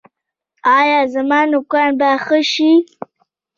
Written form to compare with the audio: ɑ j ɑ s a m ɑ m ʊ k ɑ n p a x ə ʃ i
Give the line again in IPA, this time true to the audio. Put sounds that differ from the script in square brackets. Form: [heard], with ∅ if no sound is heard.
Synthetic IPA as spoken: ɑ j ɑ [z] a m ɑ [n] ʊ k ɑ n [b] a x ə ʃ i